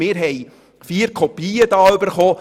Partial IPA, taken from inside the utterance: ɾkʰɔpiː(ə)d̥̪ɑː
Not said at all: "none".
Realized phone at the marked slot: ə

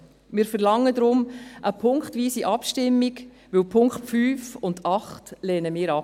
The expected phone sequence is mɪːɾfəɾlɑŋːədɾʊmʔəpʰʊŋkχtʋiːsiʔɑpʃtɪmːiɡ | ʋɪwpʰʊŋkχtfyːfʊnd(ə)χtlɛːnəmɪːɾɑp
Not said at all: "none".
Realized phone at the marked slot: ɑ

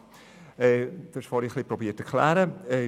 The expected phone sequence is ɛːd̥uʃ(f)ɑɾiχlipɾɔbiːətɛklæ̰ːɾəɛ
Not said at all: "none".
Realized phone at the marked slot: f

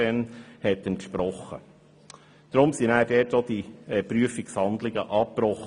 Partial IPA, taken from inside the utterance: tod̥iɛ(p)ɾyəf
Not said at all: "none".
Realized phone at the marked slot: p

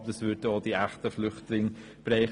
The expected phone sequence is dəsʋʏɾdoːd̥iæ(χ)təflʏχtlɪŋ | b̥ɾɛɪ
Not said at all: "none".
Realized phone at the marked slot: χ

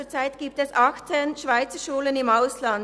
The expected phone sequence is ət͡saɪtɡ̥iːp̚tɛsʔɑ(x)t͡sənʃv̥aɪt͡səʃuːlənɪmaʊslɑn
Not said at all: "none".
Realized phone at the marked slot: x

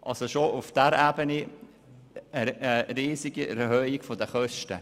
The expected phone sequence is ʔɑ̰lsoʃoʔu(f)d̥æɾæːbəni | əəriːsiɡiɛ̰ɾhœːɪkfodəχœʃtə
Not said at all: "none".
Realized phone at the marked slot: f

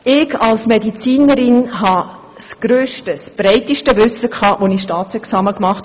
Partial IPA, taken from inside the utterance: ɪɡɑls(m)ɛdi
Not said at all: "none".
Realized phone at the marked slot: m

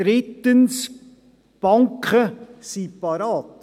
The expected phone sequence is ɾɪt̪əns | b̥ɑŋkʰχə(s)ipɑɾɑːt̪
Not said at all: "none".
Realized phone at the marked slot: s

